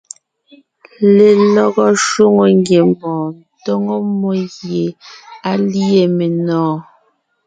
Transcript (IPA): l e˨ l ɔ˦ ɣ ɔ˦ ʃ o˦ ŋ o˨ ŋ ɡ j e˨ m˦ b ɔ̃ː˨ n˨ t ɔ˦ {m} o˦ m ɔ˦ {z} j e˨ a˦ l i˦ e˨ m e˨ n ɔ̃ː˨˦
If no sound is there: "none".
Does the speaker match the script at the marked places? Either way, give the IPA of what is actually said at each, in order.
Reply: ŋ, ɣ

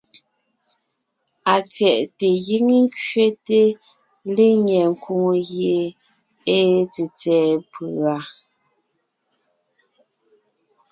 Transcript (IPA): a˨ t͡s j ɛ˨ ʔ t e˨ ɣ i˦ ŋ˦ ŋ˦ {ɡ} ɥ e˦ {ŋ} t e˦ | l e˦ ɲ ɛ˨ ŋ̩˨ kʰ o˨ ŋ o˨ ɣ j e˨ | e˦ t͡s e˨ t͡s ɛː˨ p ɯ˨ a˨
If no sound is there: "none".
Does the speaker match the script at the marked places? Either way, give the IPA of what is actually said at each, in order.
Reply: k, none

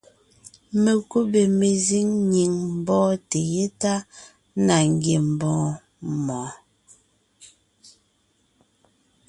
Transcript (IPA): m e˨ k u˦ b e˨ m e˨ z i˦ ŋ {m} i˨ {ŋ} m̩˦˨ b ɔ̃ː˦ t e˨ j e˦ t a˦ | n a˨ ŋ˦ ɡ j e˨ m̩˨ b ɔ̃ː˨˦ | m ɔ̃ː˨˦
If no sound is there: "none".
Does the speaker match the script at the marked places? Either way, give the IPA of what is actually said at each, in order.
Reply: ɲ, ŋ

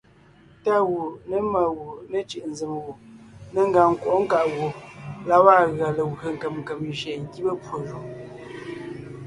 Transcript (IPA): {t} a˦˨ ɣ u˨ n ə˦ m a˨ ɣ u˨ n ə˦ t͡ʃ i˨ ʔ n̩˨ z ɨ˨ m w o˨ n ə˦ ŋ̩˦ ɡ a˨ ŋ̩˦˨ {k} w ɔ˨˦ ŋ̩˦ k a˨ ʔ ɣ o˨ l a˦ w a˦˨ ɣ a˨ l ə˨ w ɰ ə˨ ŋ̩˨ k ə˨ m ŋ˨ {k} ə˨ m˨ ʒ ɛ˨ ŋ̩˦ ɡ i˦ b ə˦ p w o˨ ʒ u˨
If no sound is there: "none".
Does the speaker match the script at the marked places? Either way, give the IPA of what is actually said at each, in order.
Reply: t, k, k

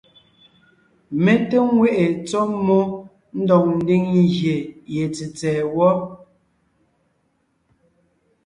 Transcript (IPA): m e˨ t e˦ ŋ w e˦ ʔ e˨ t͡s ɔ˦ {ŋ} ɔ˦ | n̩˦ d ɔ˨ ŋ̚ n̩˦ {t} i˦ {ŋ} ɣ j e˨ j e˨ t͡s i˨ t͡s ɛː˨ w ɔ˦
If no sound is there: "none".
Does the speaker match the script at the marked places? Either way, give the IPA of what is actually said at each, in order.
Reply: m, d, ŋ

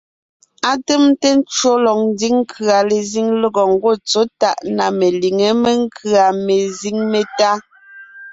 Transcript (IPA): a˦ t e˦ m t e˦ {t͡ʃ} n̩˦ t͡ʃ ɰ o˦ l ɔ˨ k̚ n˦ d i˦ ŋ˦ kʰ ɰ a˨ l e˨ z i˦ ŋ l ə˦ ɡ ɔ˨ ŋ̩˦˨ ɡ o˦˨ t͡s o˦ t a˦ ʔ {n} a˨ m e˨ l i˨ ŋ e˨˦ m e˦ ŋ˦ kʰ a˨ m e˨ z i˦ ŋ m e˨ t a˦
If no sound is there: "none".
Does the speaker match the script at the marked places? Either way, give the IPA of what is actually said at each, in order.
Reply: none, n

